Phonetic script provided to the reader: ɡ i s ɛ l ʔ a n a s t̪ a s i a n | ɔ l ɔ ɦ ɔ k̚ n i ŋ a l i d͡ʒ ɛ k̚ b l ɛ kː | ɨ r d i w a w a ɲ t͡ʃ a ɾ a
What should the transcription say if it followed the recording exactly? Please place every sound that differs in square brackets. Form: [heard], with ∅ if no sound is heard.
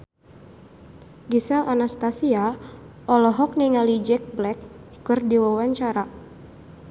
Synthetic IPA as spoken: ɡ i s ɛ l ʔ a n a s t̪ a s i a [∅] | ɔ l ɔ ɦ ɔ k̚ n i ŋ a l i d͡ʒ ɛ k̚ b l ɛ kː | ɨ r d i w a w a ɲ t͡ʃ a ɾ a